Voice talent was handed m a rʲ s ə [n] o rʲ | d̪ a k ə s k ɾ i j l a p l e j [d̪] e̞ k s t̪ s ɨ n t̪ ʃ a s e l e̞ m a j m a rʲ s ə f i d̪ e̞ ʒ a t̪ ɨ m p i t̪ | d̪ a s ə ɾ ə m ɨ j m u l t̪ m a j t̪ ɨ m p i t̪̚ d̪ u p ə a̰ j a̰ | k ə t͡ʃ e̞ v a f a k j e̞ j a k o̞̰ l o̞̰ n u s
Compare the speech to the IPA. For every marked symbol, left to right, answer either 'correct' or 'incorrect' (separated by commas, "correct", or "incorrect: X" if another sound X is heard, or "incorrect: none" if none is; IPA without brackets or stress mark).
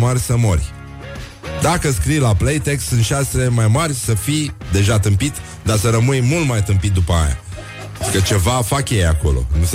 incorrect: m, incorrect: t̪